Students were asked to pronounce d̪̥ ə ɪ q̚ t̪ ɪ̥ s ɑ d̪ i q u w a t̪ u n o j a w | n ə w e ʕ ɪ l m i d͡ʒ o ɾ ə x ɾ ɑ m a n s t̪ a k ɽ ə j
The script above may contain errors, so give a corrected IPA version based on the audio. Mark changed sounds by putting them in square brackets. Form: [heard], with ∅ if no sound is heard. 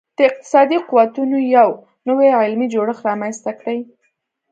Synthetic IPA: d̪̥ ə ɪ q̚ t̪ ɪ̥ s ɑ d̪ i q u w a t̪ u n o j a w | n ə w e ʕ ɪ l m i d͡ʒ o [ɽ] ə x ɾ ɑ m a n s t̪ a k ɽ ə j